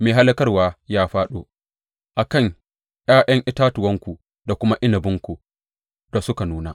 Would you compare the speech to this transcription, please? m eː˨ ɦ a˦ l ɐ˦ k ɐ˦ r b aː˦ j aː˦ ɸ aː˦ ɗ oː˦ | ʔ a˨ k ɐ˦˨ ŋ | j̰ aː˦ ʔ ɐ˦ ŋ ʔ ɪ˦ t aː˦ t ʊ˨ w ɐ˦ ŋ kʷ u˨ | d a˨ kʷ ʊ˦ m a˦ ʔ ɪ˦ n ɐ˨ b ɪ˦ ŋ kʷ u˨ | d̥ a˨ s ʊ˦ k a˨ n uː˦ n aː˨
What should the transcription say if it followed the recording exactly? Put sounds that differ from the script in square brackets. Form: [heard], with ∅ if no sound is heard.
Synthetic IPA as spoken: m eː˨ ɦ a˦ l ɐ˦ k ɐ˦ r [w] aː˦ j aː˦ ɸ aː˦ ɗ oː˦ | ʔ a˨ k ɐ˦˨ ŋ | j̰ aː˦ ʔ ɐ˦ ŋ ʔ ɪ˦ t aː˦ t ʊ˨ w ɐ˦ ŋ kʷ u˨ | d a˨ kʷ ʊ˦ m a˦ ʔ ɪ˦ n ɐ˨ b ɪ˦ ŋ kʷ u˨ | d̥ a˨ s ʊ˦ k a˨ n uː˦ n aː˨